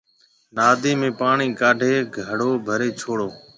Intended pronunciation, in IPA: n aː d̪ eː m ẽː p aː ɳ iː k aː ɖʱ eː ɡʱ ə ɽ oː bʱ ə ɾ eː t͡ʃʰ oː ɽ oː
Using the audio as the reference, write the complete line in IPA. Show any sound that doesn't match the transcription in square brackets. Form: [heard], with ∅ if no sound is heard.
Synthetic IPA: n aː d̪ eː m ẽː p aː ɳ iː k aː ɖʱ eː ɡʱ ə ɽ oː bʱ ə ɾ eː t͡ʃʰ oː ɽ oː